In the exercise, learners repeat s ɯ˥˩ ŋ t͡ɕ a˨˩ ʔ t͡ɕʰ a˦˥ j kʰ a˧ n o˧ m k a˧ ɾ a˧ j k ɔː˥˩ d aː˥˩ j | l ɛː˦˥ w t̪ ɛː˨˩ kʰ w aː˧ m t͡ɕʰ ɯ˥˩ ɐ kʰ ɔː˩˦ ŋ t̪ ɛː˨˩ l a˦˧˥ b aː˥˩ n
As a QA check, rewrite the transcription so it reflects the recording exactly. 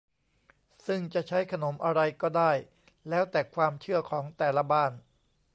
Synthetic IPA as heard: s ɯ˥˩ ŋ t͡ɕ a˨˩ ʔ t͡ɕʰ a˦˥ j kʰ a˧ n o˩˦ m ʔ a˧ ɾ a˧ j k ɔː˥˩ d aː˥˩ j | l ɛː˦˥ w t̪ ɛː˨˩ kʰ w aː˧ m t͡ɕʰ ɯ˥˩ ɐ kʰ ɔː˩˦ ŋ t̪ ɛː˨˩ l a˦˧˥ b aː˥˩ n